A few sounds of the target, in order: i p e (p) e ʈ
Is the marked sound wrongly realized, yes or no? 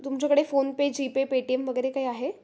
no